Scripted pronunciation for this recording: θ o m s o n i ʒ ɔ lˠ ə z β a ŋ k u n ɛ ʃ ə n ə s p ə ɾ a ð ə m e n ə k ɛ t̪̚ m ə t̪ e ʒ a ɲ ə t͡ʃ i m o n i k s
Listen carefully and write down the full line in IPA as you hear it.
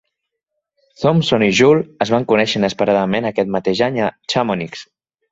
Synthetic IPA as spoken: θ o m s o n i ʒ u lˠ ə z β a ŋ k u n ɛ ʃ ə n ə s p ə ɾ a ð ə m e n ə k ɛ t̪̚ m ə t̪ e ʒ a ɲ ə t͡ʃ a m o n i k s